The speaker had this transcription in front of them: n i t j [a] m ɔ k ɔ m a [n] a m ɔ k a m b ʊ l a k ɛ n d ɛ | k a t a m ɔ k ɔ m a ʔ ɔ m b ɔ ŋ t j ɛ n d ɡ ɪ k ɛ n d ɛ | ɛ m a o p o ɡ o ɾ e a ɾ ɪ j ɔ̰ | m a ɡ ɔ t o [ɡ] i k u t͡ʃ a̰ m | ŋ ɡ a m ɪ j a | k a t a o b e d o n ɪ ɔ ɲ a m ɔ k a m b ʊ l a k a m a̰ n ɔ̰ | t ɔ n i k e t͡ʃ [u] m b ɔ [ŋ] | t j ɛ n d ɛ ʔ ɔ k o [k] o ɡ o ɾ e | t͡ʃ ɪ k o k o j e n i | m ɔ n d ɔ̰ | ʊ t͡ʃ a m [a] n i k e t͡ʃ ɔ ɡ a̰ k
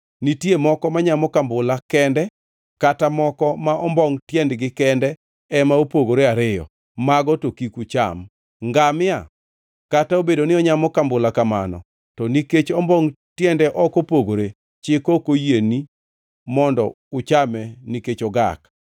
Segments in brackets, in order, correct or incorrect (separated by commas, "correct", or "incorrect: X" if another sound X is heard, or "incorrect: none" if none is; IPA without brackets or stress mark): incorrect: e, incorrect: ɲ, incorrect: k, incorrect: ɔ, correct, incorrect: p, incorrect: ɛ